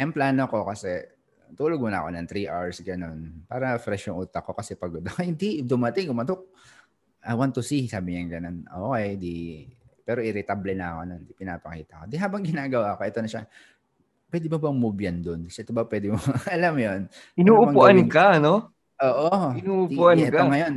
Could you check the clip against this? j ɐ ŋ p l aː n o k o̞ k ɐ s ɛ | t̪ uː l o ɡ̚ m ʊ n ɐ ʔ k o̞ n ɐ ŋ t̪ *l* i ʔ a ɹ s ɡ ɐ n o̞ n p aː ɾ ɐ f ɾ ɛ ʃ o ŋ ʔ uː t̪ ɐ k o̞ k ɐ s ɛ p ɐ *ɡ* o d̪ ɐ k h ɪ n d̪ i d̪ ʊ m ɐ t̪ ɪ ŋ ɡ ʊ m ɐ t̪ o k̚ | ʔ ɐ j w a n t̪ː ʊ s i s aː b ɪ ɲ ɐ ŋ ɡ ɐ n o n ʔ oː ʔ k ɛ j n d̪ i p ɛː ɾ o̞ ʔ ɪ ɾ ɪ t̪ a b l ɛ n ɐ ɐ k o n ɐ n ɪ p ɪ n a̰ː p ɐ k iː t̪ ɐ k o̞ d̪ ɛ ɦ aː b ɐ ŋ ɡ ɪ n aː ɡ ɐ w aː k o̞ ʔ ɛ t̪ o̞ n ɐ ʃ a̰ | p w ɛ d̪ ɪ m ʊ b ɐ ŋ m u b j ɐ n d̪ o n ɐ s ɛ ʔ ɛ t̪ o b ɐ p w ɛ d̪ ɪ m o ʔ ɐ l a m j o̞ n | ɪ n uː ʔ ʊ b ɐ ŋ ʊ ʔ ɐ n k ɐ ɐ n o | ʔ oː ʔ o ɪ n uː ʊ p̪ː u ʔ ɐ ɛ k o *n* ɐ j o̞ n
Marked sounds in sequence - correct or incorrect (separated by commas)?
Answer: incorrect, correct, incorrect